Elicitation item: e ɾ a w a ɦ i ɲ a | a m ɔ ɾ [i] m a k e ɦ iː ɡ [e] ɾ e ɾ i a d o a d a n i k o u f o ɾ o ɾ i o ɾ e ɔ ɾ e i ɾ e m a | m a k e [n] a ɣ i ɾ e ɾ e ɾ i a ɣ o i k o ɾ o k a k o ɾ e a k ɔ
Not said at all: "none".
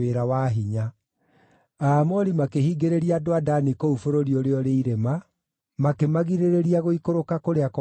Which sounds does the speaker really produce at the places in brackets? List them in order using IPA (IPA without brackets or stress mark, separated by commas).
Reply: i, e, m